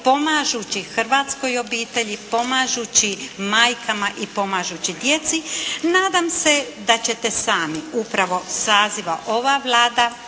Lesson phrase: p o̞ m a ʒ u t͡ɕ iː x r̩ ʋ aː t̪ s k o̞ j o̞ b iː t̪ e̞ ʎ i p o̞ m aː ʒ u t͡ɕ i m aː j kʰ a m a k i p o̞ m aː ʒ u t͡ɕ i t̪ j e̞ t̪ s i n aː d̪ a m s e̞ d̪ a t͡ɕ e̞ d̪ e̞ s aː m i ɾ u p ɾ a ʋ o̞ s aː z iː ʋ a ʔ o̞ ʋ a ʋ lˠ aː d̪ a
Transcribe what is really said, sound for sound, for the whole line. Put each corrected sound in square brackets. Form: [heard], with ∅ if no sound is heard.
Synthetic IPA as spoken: p o̞ m a ʒ u t͡ɕ [i] x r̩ ʋ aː t̪ s k o̞ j o̞ b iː t̪ e̞ ʎ i p o̞ m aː ʒ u t͡ɕ i m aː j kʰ a m a [ʔ] i p o̞ m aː ʒ u t͡ɕ i [d̪] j e̞ t̪ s i n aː d̪ a m s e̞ d̪ a t͡ɕ e̞ [t̪] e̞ s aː m i [∅] u p ɾ a ʋ o̞ s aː z [i] ʋ a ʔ o̞ ʋ a ʋ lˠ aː d̪ a